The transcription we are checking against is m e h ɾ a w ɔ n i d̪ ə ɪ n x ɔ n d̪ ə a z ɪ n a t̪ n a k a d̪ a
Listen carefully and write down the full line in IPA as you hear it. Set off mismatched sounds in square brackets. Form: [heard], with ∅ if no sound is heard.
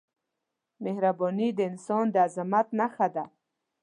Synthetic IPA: m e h ɾ a [b] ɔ n i d̪ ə ɪ n [s] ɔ n d̪ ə a z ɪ [m] a t̪ n a [x] a d̪ a